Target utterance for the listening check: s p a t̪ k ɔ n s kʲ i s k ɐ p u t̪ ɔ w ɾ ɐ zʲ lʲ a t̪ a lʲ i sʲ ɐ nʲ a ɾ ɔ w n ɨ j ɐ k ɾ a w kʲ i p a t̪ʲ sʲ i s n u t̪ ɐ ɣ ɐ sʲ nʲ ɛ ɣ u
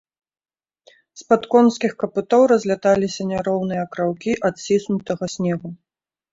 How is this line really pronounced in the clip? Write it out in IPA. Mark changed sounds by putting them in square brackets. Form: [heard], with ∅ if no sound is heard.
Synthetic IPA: s p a t̪ k ɔ n s kʲ i [x] k ɐ p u t̪ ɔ w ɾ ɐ zʲ lʲ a t̪ a lʲ i sʲ ɐ nʲ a ɾ ɔ w n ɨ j ɐ k ɾ a w kʲ i [ʔ] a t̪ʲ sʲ i s n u t̪ ɐ ɣ ɐ sʲ nʲ ɛ ɣ u